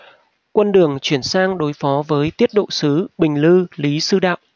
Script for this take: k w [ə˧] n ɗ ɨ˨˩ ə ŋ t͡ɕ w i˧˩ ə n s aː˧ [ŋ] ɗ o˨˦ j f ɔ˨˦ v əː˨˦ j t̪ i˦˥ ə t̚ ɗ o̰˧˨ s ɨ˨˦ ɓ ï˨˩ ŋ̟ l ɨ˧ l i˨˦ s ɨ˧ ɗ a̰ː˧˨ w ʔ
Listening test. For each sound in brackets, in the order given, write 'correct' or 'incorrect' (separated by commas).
correct, correct